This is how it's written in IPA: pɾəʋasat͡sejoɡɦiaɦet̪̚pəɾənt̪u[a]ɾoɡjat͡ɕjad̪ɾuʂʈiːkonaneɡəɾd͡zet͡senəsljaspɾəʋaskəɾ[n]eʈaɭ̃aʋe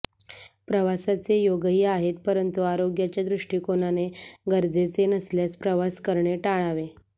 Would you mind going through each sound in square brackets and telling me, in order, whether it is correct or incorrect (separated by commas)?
correct, incorrect